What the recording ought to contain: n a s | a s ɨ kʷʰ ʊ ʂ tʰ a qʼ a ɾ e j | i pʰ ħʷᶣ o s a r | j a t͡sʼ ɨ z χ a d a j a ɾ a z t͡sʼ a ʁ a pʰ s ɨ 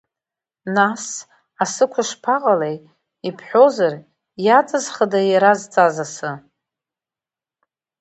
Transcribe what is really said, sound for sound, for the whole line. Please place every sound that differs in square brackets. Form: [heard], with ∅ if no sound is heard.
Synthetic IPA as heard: n a s | a s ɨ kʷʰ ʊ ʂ [pʰ] a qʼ a [l] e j | i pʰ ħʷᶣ o [z] a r | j a t͡sʼ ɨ z χ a d a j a ɾ a z t͡sʼ a [z] a [∅] s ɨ